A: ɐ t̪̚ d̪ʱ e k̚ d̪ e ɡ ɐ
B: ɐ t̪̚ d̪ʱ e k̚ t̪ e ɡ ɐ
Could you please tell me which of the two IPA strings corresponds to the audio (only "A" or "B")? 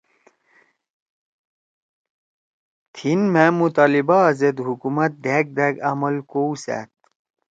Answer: A